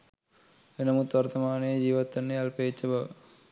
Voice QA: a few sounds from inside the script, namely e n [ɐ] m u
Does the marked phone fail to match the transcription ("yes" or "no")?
no